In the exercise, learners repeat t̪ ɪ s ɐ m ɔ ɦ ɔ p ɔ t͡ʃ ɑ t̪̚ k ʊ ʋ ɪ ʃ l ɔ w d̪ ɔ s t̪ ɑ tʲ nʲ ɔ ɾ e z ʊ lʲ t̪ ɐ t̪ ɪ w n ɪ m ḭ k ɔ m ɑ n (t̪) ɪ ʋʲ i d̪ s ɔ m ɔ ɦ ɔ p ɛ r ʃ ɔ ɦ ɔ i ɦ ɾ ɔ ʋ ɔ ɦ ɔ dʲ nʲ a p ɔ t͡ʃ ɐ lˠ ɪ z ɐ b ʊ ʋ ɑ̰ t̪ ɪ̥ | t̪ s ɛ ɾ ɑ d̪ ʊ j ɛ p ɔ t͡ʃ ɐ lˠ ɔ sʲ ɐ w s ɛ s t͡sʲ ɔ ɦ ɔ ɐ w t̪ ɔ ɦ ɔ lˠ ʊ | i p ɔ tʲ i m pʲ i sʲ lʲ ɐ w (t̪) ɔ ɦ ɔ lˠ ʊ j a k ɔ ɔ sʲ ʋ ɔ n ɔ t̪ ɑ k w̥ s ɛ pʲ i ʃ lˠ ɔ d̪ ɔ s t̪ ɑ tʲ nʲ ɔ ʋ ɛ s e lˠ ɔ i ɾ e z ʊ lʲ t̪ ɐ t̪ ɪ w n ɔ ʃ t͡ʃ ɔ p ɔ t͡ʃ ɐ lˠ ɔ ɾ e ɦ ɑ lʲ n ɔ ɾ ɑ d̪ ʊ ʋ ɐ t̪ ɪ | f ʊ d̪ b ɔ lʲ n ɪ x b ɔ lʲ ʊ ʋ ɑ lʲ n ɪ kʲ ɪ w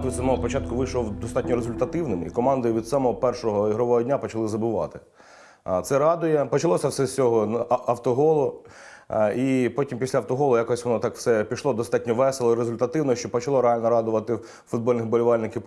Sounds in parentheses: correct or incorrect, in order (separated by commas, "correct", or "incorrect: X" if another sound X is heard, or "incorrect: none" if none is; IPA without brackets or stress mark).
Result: incorrect: d̪, correct